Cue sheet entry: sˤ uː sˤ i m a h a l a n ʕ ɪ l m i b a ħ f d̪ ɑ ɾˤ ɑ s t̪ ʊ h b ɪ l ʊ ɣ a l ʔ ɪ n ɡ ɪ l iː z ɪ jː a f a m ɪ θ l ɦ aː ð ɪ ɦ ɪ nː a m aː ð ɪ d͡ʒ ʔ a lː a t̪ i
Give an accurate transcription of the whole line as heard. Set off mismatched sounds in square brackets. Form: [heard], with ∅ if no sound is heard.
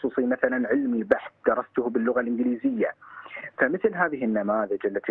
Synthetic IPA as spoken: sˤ uː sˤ i m a [θ] a l a n ʕ ɪ l m i b a ħ [θ] d̪ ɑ ɾˤ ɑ s t̪ ʊ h b ɪ [lː] ʊ ɣ a l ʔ ɪ n ɡ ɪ l iː z ɪ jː a f a m ɪ θ l ɦ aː ð ɪ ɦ ɪ nː a m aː ð ɪ d͡ʒ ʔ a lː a t̪ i